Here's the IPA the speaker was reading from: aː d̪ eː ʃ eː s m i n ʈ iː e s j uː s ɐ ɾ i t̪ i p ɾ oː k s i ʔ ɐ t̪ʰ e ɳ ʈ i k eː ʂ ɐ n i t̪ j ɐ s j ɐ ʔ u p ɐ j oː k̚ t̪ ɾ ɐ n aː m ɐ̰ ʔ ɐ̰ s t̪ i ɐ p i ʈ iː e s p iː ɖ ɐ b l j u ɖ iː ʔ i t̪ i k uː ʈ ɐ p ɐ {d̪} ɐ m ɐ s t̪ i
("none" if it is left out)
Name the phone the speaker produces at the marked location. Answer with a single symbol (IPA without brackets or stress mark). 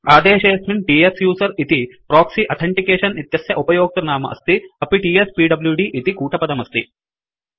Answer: d̪